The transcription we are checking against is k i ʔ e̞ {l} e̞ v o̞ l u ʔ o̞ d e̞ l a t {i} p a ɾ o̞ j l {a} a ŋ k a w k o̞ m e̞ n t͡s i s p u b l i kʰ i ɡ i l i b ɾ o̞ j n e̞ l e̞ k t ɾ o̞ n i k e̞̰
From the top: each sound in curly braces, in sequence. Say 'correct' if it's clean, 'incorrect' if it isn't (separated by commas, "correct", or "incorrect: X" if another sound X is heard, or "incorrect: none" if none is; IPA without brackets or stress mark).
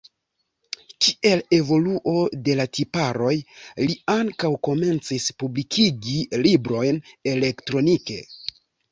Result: correct, correct, incorrect: i